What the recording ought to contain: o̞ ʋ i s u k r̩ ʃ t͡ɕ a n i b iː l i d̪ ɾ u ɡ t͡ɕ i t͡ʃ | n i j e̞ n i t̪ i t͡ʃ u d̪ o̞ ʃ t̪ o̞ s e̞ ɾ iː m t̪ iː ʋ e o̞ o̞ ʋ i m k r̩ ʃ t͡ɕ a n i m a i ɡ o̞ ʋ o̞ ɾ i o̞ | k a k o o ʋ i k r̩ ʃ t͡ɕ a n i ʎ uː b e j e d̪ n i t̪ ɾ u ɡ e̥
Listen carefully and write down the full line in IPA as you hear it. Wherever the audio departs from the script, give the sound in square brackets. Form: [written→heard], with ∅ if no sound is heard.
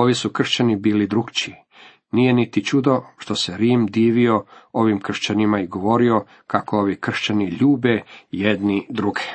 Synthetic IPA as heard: o̞ ʋ i s u k r̩ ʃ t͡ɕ a n i b iː l i d̪ ɾ u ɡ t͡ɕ i [t͡ʃ→∅] | n i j e̞ n i t̪ i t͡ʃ u d̪ o̞ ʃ t̪ o̞ s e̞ ɾ iː m [t̪→d̪] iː ʋ [e→i] o̞ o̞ ʋ i m k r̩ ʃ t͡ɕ a n i m a i ɡ o̞ ʋ o̞ ɾ i o̞ | k a k o o ʋ i k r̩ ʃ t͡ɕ a n i ʎ uː b e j e d̪ n i [t̪→d̪] ɾ u ɡ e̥